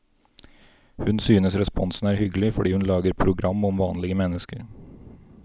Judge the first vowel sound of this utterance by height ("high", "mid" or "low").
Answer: high